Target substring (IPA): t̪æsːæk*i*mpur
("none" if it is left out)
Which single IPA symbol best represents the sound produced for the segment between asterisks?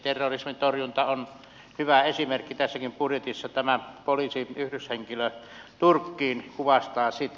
i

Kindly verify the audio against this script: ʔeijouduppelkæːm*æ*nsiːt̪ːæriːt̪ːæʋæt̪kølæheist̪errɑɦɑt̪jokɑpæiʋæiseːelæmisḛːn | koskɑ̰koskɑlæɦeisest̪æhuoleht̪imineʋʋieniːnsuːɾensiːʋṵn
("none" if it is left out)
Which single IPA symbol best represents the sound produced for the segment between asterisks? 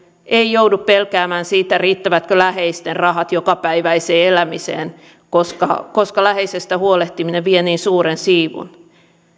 æː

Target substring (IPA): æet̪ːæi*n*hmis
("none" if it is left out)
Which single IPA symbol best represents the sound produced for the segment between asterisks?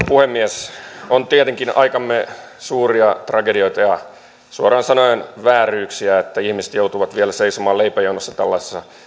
none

